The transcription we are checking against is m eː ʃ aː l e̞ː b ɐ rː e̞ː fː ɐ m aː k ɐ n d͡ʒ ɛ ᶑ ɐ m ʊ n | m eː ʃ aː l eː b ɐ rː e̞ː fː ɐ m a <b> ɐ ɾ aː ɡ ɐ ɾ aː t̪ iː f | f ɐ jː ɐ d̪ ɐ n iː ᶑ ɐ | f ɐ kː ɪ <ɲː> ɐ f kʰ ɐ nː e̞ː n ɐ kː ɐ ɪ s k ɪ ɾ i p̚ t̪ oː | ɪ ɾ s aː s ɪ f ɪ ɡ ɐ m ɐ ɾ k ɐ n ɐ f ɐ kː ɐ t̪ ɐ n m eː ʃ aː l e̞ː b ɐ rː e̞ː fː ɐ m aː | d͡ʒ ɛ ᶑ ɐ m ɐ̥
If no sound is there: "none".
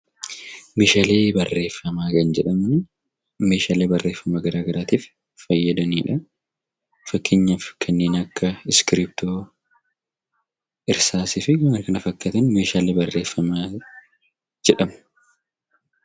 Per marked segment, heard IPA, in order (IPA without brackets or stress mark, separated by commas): ɡ, ɲː